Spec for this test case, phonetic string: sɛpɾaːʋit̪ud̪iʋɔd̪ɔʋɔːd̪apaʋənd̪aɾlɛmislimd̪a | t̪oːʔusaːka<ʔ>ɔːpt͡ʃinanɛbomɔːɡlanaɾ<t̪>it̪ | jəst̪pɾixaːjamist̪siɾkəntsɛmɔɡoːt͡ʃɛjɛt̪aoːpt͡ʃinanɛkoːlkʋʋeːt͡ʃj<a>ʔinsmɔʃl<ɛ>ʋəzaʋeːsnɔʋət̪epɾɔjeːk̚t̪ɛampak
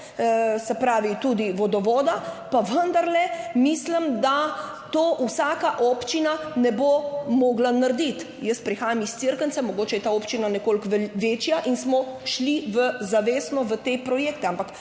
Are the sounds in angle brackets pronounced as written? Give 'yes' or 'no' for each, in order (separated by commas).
yes, no, yes, no